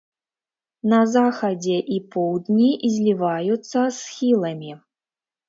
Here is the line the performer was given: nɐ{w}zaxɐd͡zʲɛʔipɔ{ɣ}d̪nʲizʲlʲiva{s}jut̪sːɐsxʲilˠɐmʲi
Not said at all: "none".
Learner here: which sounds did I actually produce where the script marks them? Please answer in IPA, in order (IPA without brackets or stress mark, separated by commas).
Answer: none, w, none